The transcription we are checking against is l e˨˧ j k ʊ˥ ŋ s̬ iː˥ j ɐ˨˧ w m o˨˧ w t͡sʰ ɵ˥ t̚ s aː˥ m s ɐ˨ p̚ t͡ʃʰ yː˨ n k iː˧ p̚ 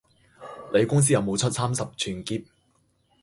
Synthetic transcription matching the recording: l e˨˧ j k ʊ˥ ŋ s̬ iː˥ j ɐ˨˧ w m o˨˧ w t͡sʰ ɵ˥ t̚ s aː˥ m s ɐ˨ p̚ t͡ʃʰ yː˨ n k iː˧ p̚